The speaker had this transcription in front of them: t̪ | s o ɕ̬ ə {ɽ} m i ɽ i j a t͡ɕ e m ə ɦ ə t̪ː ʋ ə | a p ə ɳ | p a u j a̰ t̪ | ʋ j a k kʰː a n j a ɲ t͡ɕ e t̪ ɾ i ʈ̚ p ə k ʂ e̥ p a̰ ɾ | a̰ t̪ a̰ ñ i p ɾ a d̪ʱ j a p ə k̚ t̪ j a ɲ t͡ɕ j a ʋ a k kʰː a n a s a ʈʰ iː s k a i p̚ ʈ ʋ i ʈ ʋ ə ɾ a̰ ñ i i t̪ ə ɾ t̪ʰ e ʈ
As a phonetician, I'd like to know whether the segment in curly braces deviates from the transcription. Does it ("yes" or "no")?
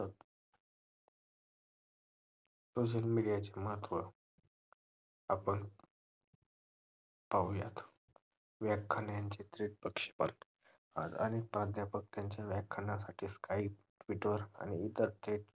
yes